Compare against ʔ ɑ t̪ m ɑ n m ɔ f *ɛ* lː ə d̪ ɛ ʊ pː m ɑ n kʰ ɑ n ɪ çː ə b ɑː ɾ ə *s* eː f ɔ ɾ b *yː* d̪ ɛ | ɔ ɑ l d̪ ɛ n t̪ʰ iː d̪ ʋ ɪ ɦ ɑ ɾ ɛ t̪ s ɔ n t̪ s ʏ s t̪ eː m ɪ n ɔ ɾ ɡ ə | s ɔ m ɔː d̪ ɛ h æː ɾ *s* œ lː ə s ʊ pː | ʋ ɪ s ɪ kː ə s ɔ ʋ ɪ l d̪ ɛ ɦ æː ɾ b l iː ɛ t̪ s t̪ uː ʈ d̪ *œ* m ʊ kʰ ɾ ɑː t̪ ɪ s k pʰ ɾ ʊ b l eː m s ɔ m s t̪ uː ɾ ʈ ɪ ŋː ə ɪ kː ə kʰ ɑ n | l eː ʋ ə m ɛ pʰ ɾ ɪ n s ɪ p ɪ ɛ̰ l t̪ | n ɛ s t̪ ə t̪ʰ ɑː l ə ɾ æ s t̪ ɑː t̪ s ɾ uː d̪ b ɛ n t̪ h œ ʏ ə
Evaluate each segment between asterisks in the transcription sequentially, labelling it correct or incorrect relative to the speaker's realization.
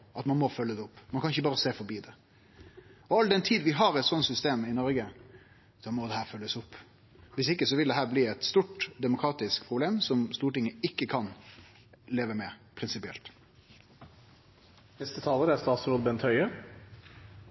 incorrect: œ, correct, incorrect: iː, incorrect: f, incorrect: ɛ

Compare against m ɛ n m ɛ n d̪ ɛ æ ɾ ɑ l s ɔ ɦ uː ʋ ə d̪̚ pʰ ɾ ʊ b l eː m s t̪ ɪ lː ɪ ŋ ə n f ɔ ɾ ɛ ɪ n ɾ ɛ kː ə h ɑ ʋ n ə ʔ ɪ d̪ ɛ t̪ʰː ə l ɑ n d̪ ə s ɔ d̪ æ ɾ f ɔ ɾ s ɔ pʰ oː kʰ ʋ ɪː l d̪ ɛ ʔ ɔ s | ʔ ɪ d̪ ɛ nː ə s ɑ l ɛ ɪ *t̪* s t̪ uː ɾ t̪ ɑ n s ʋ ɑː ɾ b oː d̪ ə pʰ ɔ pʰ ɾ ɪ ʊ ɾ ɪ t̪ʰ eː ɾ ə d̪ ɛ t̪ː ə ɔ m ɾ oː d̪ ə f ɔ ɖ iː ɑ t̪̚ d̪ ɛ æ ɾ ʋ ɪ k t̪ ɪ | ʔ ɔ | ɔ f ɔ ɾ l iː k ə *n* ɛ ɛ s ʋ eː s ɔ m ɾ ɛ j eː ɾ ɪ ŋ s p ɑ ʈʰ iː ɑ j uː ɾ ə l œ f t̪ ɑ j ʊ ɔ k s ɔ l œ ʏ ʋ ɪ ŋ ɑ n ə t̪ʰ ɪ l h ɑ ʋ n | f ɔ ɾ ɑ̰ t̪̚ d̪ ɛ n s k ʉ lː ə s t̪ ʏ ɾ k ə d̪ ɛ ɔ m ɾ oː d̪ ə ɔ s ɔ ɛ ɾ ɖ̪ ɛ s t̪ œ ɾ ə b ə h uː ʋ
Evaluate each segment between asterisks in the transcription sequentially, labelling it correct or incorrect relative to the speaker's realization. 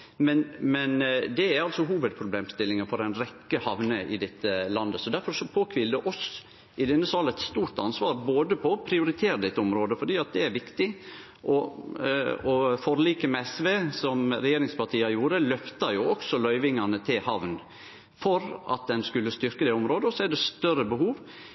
correct, incorrect: m

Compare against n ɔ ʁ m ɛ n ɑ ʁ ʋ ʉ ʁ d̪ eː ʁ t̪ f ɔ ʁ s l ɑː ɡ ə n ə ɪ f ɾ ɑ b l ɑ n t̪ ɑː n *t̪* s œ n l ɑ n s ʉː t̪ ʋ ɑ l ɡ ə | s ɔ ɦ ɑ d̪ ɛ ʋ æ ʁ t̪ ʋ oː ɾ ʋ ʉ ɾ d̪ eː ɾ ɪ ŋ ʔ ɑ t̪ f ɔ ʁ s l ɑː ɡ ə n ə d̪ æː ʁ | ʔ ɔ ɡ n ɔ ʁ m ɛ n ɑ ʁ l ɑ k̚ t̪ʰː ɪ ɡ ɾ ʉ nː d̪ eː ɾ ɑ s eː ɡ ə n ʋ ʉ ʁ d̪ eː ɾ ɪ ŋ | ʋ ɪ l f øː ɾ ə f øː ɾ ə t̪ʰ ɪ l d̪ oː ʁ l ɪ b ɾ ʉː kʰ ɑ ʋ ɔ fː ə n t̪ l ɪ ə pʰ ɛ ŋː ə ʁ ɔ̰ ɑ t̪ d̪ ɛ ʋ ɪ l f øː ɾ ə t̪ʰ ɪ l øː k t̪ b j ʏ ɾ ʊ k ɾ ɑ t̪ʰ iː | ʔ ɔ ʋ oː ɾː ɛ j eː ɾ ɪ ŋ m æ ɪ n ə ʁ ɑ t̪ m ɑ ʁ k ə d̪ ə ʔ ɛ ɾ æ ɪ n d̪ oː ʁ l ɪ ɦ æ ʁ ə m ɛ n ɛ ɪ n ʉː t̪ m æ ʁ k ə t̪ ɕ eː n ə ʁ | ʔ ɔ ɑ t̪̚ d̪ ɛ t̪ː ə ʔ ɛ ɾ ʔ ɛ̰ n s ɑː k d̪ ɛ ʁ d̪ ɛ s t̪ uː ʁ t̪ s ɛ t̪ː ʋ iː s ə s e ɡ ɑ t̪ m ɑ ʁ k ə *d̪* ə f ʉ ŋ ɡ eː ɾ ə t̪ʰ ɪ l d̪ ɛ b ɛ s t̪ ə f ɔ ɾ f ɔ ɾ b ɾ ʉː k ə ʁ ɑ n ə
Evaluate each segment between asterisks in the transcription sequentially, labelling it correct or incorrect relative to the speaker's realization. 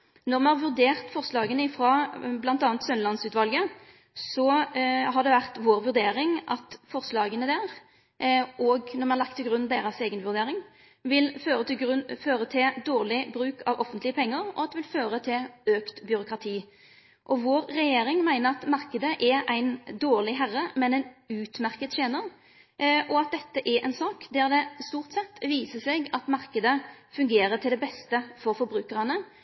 correct, correct

